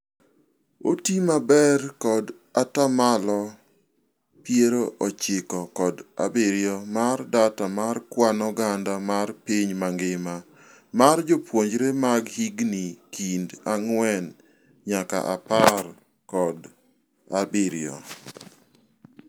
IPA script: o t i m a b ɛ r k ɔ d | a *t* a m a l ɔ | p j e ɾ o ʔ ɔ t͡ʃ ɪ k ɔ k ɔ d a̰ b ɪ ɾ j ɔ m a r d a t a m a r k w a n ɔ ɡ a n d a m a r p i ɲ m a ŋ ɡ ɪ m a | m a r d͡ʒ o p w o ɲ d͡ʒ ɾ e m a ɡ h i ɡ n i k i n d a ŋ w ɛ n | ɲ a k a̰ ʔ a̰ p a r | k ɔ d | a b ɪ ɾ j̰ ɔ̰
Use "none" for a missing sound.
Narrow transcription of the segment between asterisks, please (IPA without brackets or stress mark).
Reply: t